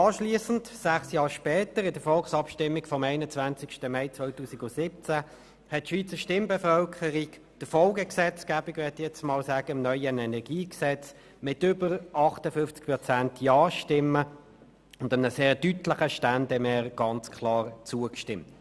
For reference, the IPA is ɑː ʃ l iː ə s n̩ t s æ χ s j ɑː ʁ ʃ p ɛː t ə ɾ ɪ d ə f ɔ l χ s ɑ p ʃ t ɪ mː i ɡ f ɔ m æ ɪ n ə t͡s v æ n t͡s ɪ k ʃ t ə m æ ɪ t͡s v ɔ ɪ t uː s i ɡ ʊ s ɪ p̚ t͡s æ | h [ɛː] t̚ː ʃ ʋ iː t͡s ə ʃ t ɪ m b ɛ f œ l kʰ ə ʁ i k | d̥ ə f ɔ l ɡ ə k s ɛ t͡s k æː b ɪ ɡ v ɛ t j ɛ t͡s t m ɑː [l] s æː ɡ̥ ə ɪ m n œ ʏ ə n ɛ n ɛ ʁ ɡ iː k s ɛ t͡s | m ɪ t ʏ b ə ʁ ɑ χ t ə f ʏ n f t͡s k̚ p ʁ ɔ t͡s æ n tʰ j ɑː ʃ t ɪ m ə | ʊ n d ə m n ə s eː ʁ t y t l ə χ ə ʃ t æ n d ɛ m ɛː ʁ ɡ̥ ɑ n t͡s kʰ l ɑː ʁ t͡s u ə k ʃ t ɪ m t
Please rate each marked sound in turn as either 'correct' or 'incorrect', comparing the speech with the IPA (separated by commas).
incorrect, correct